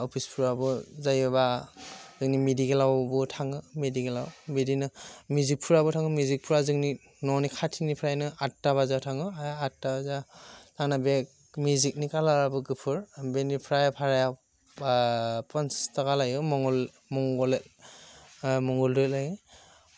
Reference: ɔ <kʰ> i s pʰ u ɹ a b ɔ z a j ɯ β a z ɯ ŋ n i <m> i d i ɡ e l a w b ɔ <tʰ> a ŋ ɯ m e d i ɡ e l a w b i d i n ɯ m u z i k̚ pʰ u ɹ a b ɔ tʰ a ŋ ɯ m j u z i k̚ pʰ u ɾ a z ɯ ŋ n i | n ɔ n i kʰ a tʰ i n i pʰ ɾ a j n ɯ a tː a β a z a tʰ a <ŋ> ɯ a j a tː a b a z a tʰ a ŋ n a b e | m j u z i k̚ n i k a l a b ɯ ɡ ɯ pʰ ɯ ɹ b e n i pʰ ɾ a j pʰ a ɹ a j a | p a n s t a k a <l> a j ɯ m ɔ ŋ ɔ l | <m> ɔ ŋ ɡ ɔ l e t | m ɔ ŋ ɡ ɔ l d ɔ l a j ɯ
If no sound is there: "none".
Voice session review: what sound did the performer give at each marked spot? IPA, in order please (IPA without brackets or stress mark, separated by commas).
pʰ, m, tʰ, ŋ, l, m